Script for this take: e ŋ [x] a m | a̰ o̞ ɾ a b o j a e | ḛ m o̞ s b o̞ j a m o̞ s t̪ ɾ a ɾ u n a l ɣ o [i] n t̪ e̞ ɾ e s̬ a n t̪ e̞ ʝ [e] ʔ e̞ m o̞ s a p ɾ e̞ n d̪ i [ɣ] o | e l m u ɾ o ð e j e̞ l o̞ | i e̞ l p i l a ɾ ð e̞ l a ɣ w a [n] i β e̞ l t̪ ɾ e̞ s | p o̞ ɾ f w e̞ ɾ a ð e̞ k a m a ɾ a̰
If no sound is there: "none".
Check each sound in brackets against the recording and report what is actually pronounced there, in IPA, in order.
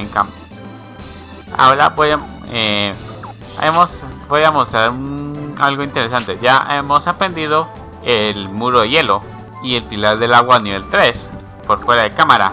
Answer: k, i, a, ð, n

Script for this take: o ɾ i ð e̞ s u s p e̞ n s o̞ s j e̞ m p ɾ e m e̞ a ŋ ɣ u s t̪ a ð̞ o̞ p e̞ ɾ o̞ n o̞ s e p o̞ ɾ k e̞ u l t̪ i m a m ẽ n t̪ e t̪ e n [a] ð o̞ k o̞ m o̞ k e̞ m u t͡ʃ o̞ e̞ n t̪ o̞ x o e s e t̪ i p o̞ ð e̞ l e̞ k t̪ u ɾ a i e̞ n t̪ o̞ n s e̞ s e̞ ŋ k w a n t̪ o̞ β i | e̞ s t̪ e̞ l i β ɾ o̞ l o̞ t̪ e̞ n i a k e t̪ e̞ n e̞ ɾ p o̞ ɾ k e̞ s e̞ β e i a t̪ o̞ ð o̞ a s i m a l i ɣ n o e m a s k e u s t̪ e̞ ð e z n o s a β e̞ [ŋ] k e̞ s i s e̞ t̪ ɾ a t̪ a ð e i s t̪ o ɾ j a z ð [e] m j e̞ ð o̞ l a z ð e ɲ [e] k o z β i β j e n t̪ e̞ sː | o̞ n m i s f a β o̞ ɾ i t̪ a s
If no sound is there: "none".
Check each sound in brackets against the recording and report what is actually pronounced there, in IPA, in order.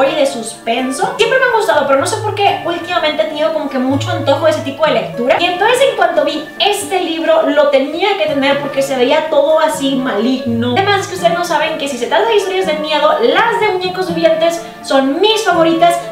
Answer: i, ŋ, e, e

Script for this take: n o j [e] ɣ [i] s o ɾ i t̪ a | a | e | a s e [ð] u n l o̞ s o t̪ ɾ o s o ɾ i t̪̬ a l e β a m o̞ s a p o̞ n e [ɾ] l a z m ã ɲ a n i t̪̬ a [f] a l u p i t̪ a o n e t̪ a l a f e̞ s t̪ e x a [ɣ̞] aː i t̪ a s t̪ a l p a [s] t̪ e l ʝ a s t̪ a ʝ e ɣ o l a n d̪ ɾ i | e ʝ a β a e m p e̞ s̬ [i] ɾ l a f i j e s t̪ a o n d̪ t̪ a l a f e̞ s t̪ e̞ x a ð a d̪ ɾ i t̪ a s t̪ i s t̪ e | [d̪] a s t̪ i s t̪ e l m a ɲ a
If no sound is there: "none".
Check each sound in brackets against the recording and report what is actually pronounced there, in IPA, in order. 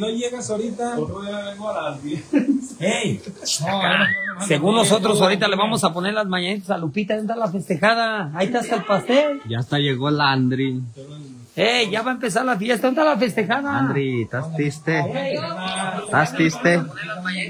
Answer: e, a, ɣ, ɾ, s, ð̞, s, a, t̪

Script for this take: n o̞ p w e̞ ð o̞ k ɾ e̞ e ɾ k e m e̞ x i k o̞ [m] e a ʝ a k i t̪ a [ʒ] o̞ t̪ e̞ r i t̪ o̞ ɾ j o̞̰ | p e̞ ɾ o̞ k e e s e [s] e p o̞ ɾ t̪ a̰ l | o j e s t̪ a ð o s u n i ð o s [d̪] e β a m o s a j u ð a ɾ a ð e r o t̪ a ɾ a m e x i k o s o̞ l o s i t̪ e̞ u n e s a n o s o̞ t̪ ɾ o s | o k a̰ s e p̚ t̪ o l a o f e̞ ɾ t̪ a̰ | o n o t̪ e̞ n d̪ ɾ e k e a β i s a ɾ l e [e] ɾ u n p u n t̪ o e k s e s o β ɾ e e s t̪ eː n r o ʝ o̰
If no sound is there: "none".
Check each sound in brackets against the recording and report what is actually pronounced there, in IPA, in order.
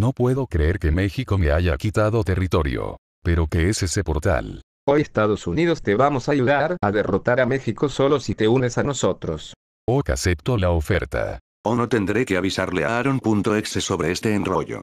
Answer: m, ð, s, t̪, a

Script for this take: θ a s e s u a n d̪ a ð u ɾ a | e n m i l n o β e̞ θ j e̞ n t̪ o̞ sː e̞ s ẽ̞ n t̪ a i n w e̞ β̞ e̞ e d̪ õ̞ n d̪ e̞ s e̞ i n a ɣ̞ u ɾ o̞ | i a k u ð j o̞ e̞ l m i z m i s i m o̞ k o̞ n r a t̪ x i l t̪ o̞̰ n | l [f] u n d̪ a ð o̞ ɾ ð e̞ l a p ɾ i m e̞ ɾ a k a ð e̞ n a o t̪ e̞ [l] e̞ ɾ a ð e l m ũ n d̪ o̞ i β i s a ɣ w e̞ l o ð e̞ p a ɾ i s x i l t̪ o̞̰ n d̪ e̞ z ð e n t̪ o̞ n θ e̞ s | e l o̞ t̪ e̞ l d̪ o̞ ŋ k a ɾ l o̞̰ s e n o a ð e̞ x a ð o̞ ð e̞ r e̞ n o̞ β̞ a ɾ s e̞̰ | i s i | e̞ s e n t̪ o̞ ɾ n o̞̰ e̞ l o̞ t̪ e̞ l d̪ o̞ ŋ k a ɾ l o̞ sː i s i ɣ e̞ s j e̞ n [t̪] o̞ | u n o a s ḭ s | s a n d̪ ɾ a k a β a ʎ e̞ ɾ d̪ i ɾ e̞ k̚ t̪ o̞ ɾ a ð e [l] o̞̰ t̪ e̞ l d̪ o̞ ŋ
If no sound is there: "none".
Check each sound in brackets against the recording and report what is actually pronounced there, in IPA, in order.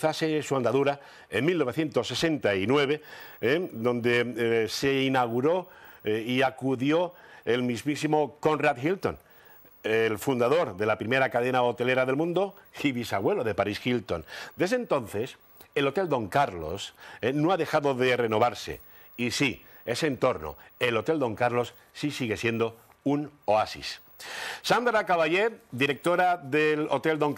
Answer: f, l, d̪, l

